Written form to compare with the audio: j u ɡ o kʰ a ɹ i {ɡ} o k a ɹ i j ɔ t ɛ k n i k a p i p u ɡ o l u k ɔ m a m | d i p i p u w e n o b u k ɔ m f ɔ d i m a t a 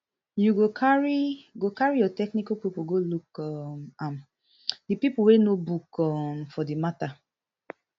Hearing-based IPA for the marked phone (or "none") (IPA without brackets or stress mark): ɡ